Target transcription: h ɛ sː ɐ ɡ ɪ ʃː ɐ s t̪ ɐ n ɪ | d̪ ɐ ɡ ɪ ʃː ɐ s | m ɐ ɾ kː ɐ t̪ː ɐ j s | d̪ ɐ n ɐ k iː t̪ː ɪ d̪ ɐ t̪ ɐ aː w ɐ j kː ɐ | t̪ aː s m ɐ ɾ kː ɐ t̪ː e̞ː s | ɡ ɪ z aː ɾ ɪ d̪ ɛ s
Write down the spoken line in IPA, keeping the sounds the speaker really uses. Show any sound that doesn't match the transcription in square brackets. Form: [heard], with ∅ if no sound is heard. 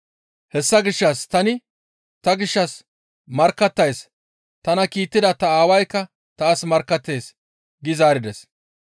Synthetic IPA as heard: h ɛ sː ɐ ɡ ɪ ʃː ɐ s t̪ ɐ n ɪ | [t̪] ɐ ɡ ɪ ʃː ɐ s | m ɐ ɾ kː ɐ t̪ː ɐ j s | [t̪] ɐ n ɐ k iː t̪ː ɪ d̪ ɐ t̪ ɐ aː w ɐ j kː ɐ | t̪ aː s m ɐ ɾ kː ɐ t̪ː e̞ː s | ɡ ɪ z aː ɾ ɪ d̪ ɛ s